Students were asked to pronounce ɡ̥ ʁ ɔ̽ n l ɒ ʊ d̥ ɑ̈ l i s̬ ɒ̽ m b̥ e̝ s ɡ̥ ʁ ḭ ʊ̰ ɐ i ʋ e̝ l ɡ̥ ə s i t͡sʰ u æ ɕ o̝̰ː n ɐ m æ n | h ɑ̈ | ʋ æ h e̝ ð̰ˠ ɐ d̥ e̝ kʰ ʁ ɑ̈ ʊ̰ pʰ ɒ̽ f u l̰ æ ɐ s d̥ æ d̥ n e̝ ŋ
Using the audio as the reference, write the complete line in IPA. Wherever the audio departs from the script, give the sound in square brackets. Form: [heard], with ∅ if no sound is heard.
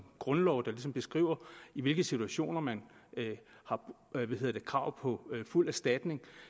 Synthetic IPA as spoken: ɡ̥ ʁ ɔ̽ n l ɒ ʊ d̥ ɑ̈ l i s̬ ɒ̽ m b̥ e̝ s ɡ̥ ʁ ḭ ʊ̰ ɐ i ʋ e̝ l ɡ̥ ə s i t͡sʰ u æ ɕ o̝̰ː n ɐ m æ n | h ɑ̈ | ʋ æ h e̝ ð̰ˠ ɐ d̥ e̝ kʰ ʁ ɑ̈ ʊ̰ pʰ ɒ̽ f u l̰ æ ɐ s d̥ æ d̥ n e̝ ŋ